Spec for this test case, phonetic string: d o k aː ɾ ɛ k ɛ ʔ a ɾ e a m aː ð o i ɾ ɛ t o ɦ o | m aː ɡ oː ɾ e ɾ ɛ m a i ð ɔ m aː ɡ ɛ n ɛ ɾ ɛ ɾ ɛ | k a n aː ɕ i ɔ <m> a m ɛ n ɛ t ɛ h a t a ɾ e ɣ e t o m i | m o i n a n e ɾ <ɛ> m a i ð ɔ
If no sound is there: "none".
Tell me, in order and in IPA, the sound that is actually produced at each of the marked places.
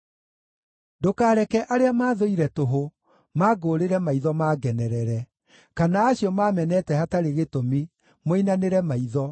m, ɛ

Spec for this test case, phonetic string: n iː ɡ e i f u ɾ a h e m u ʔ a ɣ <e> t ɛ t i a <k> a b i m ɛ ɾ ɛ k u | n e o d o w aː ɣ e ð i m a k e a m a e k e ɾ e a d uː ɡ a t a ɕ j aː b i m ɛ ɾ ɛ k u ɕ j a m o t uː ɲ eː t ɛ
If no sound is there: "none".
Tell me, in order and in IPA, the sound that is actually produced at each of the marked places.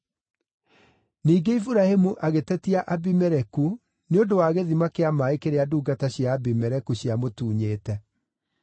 e, ʔ

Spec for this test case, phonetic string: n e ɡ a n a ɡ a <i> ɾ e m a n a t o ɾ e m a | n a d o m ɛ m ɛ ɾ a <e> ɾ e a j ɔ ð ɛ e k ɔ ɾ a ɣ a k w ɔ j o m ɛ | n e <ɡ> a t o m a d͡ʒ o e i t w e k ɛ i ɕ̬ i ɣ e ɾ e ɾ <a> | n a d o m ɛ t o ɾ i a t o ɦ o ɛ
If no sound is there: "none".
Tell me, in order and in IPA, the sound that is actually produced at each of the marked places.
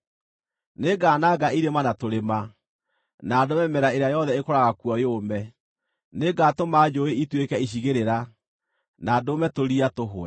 i, e, ɡ, a

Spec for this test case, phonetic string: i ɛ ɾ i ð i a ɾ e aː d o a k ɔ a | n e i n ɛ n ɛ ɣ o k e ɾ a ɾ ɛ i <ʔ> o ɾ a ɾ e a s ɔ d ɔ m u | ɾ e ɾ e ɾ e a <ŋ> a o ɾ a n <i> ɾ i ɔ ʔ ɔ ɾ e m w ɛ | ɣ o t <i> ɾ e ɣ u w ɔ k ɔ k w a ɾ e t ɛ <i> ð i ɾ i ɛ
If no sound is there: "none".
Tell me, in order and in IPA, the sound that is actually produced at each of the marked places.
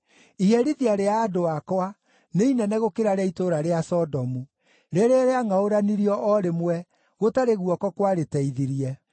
t, ŋ, i, a, i

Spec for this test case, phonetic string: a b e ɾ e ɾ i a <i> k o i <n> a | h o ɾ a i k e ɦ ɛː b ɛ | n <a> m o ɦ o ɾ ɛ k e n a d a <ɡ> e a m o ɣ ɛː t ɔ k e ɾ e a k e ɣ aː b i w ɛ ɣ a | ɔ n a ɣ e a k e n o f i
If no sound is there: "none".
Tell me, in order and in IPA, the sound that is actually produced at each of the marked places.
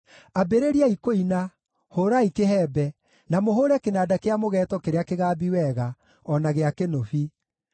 i, n, a, k

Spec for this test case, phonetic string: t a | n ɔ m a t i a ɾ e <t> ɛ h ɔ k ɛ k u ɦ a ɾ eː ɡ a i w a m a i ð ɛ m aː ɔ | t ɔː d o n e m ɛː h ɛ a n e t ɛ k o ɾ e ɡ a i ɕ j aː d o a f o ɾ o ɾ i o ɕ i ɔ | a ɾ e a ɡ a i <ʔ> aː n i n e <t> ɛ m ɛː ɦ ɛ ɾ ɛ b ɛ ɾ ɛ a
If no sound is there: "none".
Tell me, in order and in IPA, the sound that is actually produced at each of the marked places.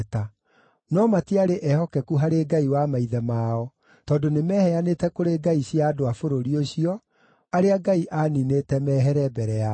ʔ, ʔ, t

